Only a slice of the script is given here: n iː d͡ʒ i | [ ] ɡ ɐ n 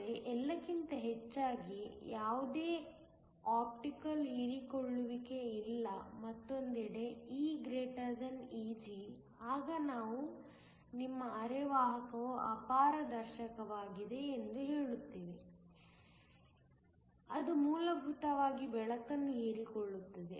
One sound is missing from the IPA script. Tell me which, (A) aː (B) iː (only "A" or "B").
A